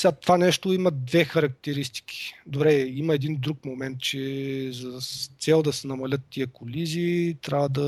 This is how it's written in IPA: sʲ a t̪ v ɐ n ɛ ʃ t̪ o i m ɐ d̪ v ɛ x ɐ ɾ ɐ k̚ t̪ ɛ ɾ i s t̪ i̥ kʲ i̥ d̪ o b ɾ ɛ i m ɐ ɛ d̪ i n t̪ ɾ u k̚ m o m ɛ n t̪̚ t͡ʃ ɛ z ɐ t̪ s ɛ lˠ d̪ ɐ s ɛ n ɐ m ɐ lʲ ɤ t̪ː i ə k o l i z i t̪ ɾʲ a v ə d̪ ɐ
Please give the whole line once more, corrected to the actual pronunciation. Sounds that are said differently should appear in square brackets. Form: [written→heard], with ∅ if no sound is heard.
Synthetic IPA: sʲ a t̪ v [ɐ→a] n ɛ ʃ t̪ o i m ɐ d̪ v ɛ x ɐ ɾ ɐ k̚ t̪ ɛ ɾ i s t̪ i̥ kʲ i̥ d̪ o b ɾ ɛ i m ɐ ɛ d̪ i n [t̪→d̪] ɾ u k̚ m o m ɛ n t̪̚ t͡ʃ ɛ z ɐ t̪ s ɛ lˠ d̪ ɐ s ɛ n ɐ m ɐ lʲ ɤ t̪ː i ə k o l i z i t̪ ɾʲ a v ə d̪ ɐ